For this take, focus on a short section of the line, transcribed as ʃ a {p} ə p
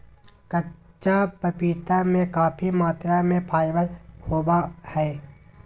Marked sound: correct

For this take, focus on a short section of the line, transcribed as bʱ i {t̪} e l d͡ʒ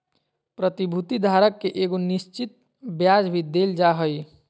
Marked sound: incorrect: d̪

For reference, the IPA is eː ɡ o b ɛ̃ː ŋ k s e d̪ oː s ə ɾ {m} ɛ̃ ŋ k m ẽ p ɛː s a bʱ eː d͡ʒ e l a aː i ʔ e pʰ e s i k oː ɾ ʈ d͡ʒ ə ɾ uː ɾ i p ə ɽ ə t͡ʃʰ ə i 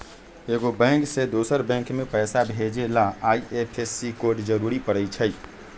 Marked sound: incorrect: b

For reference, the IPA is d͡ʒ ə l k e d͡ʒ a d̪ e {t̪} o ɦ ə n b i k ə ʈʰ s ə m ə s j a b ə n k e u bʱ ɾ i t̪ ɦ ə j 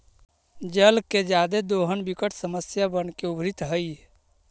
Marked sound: incorrect: d̪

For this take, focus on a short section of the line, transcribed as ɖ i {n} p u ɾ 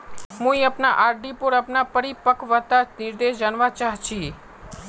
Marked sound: incorrect: none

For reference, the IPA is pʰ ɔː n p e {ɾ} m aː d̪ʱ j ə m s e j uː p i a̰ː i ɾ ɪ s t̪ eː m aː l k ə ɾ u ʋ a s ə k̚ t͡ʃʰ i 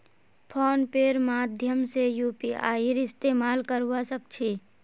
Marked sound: correct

